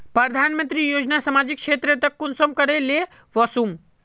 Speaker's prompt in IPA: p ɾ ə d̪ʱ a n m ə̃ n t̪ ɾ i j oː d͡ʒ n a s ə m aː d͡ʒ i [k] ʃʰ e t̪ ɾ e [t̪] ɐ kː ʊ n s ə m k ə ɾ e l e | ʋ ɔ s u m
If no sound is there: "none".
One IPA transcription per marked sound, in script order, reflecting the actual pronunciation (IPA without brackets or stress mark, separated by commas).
k, t̪